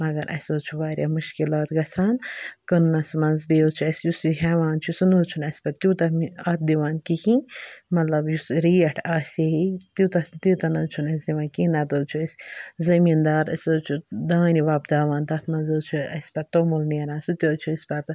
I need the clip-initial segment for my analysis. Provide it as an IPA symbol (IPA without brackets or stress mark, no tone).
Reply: m